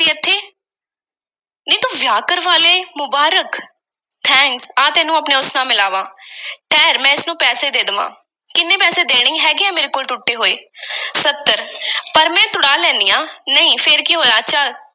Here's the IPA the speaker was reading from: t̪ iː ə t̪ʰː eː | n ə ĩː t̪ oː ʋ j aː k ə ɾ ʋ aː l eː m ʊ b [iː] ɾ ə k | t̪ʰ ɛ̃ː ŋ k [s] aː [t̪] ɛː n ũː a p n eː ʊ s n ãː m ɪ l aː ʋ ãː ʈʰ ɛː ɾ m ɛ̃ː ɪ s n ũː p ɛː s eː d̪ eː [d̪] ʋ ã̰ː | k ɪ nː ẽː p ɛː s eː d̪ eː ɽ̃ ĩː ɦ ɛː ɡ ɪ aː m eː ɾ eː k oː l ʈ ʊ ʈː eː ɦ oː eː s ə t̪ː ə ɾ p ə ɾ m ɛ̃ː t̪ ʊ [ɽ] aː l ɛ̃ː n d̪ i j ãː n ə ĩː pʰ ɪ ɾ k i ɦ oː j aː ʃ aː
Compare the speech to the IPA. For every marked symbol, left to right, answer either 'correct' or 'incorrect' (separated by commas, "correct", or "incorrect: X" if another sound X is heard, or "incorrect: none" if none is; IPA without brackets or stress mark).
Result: incorrect: aː, correct, correct, correct, correct